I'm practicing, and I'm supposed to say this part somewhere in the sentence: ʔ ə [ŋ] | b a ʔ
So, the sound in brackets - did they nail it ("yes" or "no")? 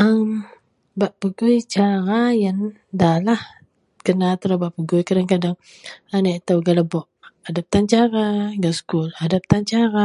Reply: no